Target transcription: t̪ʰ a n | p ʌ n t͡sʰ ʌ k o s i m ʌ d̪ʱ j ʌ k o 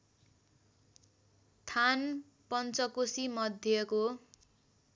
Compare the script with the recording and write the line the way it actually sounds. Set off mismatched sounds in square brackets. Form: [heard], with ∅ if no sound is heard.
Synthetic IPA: t̪ʰ a n | p ʌ n [t͡s] ʌ k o s i m ʌ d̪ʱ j ʌ k o